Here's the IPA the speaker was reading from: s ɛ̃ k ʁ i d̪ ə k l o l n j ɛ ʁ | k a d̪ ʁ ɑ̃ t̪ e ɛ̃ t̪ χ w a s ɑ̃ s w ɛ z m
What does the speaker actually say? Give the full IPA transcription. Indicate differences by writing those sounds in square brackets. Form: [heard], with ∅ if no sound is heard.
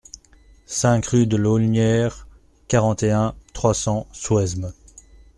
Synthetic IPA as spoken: s ɛ̃ k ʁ [y] d̪ ə [∅] l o l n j ɛ ʁ | k a [∅] ʁ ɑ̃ t̪ e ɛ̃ t̪ χ w a s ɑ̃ s w ɛ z m

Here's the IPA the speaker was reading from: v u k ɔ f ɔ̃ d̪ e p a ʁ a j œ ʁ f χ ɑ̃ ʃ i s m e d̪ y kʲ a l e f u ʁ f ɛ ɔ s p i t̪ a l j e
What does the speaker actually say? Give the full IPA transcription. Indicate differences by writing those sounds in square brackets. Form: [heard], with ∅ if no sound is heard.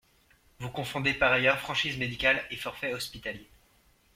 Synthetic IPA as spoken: v u k [ɔ̃] f ɔ̃ d̪ e p a ʁ a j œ ʁ f χ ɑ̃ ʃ i [z] m e d̪ [i] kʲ a l e f [ɔ] ʁ f ɛ ɔ s p i t̪ a l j e

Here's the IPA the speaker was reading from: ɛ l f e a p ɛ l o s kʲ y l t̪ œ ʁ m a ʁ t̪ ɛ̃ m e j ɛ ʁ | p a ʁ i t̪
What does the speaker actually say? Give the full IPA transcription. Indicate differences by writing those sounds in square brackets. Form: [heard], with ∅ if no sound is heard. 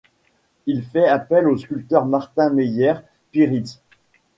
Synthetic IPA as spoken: [i] l f [ɛ] a p ɛ l o s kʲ y l t̪ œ ʁ m a ʁ t̪ ɛ̃ m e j ɛ ʁ | p [i] ʁ i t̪

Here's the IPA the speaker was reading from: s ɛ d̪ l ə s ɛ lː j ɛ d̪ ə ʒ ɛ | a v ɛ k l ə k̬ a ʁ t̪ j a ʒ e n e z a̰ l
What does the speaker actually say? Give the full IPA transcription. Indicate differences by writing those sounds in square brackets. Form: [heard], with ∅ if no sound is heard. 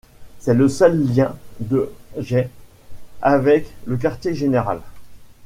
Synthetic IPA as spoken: s ɛ [∅] l ə s [œ] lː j [ɛ̃] d̪ ə ʒ ɛ | a v ɛ k l ə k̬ a ʁ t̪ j [e] ʒ e n e [ʁ] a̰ l

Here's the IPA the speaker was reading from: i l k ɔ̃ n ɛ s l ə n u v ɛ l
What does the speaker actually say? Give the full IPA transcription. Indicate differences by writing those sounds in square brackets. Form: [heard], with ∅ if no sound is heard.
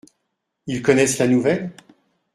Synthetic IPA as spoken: i l k [ɔ] n ɛ s l [a] n u v ɛ l

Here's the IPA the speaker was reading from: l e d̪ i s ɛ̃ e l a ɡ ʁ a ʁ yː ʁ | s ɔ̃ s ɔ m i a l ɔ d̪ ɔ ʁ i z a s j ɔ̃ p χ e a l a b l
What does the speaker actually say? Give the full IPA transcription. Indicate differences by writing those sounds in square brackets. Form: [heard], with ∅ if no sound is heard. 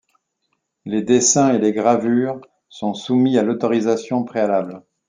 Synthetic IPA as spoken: l e d̪ [e] s ɛ̃ e l [e] ɡ ʁ a [v] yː ʁ | s ɔ̃ s [u] m i a l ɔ [t̪] ɔ ʁ i z a s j ɔ̃ p χ e a l a b l

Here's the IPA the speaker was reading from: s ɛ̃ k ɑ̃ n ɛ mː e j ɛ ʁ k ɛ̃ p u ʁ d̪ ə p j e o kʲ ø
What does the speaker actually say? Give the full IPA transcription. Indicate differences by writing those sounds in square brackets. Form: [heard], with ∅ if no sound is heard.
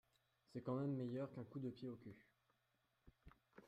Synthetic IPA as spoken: s [ɛ] k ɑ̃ [m] ɛ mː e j [œ] ʁ k ɛ̃ [k] u [∅] d̪ ə p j e o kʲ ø

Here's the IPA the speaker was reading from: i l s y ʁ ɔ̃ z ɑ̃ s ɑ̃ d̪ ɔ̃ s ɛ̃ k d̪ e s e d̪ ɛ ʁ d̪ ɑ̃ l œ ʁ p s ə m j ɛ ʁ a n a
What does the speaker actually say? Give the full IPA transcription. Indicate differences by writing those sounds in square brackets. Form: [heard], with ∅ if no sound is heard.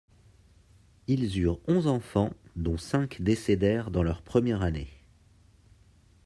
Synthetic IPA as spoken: i l [z] y ʁ ɔ̃ z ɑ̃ [f] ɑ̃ d̪ ɔ̃ s ɛ̃ k d̪ e s e d̪ ɛ ʁ d̪ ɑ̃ l œ ʁ p [χ] ə m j ɛ ʁ a n [e]

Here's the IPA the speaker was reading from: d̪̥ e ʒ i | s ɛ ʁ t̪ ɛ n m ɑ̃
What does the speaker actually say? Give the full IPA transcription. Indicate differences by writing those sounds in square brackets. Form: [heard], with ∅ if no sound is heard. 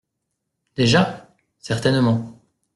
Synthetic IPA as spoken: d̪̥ e ʒ [a] | s ɛ ʁ t̪ ɛ n m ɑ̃

